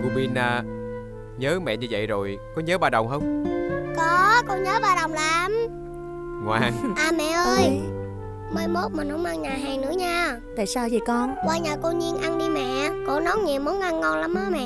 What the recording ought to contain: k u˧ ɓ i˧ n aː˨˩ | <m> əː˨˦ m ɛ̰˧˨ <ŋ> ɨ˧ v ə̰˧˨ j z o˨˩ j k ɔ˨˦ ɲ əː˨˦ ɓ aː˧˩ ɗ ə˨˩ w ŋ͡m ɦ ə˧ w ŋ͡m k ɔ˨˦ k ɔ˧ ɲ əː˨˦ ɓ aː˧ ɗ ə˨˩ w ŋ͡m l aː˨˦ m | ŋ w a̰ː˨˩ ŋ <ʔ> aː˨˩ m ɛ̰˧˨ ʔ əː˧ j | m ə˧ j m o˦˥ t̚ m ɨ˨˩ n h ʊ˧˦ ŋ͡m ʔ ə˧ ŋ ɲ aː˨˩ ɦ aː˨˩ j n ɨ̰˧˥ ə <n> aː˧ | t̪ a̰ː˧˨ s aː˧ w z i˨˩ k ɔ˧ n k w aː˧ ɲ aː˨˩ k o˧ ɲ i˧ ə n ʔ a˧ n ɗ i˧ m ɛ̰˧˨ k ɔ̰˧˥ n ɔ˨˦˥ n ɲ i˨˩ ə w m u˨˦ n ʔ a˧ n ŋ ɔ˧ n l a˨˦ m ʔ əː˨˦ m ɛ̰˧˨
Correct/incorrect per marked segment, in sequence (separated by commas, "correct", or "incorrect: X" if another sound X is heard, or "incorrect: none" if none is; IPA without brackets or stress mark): incorrect: ɲ, incorrect: ɲ, correct, incorrect: ɲ